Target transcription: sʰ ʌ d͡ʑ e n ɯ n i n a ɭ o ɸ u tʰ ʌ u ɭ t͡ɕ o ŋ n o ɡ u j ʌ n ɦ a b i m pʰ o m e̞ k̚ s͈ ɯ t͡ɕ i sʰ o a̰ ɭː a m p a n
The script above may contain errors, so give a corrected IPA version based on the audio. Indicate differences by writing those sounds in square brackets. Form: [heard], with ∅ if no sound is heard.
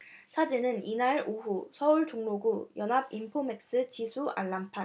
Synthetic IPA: sʰ [a] d͡ʑ e n ɯ n i n a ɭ o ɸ u [sʰ] ʌ u ɭ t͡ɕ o ŋ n o ɡ u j ʌ n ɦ a b i m pʰ o m e̞ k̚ s͈ ɯ t͡ɕ i sʰ [u] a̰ ɭː a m [pʰ] a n